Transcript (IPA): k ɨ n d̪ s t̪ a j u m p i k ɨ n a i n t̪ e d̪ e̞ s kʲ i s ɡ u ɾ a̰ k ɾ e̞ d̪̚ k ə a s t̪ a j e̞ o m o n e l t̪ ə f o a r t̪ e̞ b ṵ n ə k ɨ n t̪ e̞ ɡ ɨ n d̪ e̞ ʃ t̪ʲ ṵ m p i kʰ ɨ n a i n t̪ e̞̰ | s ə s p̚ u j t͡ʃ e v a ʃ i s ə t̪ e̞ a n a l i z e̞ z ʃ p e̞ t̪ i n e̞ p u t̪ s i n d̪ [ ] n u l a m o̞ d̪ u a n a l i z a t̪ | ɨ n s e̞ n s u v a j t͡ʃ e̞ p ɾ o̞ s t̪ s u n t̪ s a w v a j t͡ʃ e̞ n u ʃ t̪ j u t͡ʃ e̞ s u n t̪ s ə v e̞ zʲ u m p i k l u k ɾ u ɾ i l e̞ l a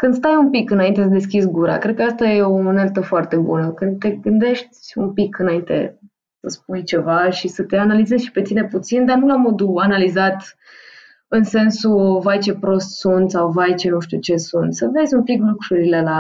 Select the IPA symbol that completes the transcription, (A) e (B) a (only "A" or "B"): B